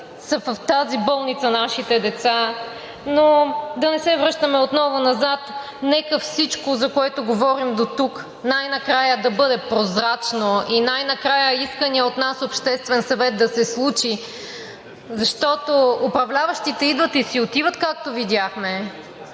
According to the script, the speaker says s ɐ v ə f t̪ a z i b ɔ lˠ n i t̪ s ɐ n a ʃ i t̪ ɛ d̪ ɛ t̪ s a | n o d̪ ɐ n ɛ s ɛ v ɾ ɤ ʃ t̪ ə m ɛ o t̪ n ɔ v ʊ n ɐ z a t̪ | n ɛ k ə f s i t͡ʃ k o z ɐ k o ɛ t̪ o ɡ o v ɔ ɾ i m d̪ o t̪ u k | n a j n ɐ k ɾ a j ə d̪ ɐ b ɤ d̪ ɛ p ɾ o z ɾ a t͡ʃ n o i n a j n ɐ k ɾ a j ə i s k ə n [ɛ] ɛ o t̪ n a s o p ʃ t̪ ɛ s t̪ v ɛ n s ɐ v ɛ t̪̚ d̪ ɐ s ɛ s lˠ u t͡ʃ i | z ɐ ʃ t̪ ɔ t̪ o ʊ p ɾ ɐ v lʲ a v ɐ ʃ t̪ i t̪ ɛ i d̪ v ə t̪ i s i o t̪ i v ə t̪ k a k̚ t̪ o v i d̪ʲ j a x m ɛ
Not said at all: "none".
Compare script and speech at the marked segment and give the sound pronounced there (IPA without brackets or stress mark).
i